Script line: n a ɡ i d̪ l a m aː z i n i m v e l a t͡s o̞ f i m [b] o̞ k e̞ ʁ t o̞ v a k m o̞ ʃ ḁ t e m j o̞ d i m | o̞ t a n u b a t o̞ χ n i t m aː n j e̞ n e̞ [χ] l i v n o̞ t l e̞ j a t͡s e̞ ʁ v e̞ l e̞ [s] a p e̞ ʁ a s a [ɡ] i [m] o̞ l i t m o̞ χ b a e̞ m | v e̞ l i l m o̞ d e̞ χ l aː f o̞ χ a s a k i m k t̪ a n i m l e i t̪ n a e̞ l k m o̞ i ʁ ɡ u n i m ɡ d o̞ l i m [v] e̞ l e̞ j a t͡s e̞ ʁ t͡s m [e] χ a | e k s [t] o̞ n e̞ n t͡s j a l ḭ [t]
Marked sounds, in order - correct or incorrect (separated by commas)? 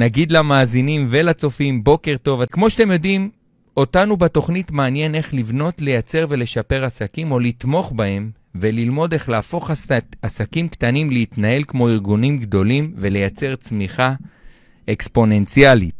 correct, correct, incorrect, incorrect, correct, correct, incorrect, incorrect, correct